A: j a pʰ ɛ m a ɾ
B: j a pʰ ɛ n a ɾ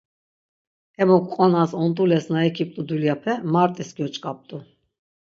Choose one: A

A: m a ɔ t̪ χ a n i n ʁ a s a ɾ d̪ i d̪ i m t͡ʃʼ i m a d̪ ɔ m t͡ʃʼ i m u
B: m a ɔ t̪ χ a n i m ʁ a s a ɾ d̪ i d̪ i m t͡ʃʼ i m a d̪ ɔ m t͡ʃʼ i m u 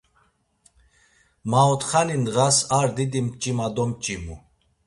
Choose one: A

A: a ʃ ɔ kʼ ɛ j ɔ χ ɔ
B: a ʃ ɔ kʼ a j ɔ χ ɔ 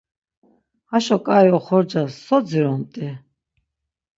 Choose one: B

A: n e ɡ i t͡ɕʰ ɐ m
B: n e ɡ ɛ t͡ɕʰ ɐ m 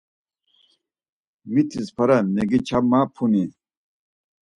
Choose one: A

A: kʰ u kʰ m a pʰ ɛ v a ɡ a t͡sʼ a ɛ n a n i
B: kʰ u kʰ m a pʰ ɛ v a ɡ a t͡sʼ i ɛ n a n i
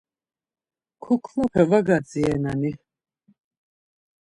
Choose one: B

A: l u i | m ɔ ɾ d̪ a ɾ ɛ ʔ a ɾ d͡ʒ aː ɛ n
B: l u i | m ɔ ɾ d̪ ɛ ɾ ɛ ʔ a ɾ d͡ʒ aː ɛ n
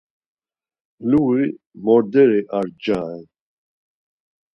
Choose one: B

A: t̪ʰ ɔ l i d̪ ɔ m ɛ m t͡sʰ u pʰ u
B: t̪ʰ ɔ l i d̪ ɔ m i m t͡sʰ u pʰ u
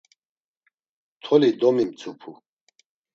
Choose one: B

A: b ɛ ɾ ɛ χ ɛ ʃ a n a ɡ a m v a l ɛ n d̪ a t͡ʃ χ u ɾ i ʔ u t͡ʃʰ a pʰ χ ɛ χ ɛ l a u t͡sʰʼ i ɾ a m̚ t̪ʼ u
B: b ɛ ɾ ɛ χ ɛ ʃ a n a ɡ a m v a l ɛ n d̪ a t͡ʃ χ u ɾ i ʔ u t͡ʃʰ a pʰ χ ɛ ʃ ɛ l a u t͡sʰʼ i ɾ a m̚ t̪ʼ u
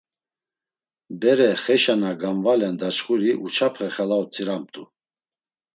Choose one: A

